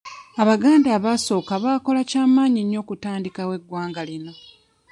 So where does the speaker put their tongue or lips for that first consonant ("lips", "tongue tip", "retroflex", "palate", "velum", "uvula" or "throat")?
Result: lips